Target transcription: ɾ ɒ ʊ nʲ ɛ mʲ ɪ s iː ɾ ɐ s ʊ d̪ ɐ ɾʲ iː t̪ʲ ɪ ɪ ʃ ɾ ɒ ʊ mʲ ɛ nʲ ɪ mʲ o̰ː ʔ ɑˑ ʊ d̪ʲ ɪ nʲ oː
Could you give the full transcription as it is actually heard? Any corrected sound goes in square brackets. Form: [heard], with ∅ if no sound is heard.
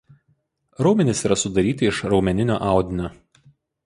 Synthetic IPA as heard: ɾ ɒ ʊ [mʲ] ɛ [nʲ] ɪ s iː ɾ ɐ s ʊ d̪ ɐ ɾʲ iː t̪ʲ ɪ ɪ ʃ ɾ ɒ ʊ mʲ ɛ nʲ ɪ [nʲ] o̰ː ʔ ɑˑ ʊ d̪ʲ ɪ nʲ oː